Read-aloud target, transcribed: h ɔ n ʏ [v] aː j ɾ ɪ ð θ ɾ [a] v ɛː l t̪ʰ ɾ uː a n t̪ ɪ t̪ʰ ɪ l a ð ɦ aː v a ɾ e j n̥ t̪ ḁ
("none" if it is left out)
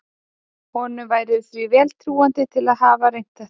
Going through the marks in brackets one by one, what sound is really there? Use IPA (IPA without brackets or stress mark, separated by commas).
v, i